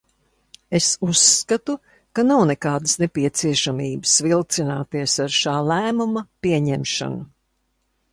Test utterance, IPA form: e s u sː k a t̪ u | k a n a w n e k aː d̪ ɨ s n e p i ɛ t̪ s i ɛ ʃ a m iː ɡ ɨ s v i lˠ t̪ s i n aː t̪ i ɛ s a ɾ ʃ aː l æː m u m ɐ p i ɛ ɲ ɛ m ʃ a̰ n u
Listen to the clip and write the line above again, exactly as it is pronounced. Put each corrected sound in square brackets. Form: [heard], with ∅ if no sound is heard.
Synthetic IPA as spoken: e s u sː k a t̪ u | k a n a w n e k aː d̪ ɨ s n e p i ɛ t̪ s i ɛ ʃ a m iː [b] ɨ s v i lˠ t̪ s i n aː t̪ i ɛ s a ɾ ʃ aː l æː m u m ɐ p i ɛ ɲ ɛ m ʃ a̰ n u